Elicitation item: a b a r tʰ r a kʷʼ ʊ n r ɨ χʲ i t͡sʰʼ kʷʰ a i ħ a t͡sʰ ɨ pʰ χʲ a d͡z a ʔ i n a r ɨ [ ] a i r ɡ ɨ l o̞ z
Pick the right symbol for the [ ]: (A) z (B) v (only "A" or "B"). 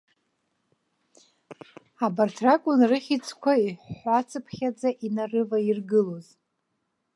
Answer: B